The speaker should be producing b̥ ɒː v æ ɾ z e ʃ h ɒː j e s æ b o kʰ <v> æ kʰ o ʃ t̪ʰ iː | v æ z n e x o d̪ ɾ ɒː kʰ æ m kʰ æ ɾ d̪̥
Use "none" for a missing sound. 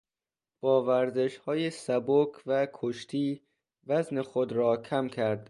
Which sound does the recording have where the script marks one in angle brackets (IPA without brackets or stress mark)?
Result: v